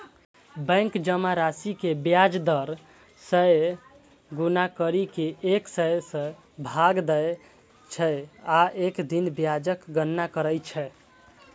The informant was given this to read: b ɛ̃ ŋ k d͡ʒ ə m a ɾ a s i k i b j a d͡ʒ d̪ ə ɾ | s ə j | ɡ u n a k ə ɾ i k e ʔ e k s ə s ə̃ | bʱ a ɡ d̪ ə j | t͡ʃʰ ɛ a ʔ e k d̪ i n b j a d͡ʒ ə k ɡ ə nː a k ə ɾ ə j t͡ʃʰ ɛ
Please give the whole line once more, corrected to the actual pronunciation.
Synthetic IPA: b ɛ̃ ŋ k d͡ʒ ə m a ɾ a s i k e b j a d͡ʒ d̪ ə ɾ | s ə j | ɡ u n a k ə ɾ i k e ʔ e k s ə s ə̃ | bʱ a ɡ d̪ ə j | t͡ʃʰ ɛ a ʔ e k d̪ i n b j a d͡ʒ ə k ɡ ə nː a k ə ɾ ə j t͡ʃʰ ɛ